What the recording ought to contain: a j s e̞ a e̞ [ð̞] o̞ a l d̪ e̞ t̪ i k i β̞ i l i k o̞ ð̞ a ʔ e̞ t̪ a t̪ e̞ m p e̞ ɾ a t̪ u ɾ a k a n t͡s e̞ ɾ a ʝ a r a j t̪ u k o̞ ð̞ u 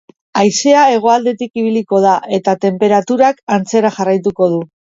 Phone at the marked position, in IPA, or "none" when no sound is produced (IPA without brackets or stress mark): ɣ̞